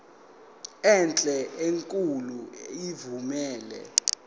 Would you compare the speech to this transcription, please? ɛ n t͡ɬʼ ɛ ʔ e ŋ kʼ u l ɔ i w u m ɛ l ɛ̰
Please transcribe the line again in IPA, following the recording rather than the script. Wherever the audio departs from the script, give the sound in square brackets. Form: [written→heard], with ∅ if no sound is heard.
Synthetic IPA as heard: ɛ n t͡ɬʼ ɛ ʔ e ŋ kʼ u l [ɔ→u] i [w→v] u m [ɛ→ɛː] l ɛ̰

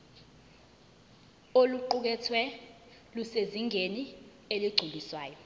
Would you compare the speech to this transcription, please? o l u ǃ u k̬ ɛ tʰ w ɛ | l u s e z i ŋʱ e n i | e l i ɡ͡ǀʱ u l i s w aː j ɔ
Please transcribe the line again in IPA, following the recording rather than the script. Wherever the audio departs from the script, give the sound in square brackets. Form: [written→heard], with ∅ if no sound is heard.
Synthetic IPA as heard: o l u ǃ u k̬ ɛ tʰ w ɛ | l u s e z i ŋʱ e n i | e l i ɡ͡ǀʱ u l i s w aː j ɔ

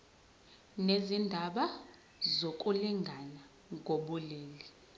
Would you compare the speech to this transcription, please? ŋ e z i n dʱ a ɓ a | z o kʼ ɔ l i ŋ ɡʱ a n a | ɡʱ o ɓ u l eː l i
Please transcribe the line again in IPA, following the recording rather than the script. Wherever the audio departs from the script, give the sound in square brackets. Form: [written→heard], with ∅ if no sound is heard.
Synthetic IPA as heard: [ŋ→n] e z i n dʱ a ɓ a | z o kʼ [ɔ→u] l i ŋ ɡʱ a n a | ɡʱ o ɓ u l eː l i

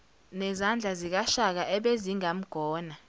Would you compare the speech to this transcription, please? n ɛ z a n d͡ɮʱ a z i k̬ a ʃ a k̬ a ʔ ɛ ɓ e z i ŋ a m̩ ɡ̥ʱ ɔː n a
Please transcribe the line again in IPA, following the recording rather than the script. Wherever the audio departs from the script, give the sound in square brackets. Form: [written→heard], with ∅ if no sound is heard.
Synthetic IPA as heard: n ɛ z a n d͡ɮʱ a z i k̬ a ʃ a k̬ a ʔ ɛ ɓ e z i ŋ a m̩ ɡ̥ʱ ɔː n a

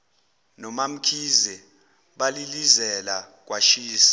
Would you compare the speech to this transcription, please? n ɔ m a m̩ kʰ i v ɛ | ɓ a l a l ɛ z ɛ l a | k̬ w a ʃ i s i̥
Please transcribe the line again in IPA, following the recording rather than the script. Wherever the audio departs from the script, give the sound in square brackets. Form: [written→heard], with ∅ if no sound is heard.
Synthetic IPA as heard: n ɔ m a m̩ kʰ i [v→z] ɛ | ɓ a l [a→i] l [ɛ→i] z ɛ l a | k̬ w a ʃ [i→iː] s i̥

